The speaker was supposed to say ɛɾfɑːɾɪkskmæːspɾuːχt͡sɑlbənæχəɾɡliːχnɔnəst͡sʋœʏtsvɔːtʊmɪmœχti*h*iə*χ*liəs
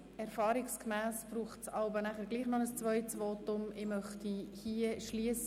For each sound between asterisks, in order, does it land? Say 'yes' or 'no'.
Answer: yes, no

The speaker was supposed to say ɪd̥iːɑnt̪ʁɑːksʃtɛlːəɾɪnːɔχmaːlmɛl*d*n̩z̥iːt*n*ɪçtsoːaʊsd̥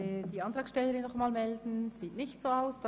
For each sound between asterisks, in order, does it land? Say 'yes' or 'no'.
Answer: yes, yes

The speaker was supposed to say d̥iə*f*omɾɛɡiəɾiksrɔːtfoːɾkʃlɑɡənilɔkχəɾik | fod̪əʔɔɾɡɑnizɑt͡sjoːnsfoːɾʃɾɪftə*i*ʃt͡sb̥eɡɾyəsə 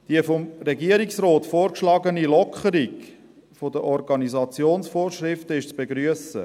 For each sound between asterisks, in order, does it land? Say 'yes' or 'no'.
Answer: yes, no

